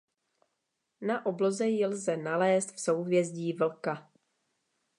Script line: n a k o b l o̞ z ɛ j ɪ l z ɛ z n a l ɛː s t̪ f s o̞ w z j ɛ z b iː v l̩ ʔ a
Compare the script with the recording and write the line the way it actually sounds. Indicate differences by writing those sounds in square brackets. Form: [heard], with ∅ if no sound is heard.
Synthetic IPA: n a [ʔ] o b l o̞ z ɛ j ɪ l z ɛ [∅] n a l ɛː s t̪ f s o̞ w [v] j ɛ z [ɟ] iː v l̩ [k] a